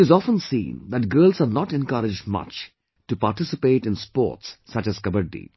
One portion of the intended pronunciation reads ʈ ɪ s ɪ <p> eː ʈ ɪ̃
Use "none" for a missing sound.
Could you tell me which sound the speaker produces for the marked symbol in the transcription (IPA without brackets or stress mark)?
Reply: p